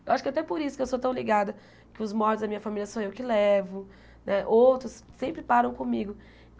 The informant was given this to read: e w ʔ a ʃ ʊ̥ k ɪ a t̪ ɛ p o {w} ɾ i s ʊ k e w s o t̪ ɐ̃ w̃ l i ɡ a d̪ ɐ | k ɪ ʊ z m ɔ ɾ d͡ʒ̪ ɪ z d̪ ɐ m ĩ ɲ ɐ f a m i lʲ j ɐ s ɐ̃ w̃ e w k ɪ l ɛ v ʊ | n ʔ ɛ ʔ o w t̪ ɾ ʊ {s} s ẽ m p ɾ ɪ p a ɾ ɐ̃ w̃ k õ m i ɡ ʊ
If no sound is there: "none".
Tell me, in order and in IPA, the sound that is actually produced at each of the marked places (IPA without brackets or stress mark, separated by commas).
none, s